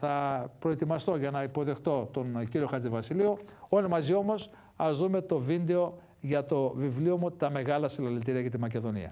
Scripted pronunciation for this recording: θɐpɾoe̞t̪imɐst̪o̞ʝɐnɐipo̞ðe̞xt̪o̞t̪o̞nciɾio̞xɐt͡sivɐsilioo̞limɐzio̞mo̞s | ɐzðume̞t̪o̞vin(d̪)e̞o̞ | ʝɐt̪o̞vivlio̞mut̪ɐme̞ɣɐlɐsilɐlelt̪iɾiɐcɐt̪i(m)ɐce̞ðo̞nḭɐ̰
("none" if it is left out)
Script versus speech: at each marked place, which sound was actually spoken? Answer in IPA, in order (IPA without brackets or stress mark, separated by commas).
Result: d̪, m